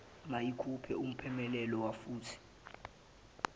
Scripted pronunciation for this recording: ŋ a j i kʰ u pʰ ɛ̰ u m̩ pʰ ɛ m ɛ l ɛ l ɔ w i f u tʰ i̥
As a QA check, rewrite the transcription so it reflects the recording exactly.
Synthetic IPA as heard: m a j i kʰ u pʰ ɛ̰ u m̩ pʰ ɛ m ɛ l ɛ l ɔ w a f uː tʰ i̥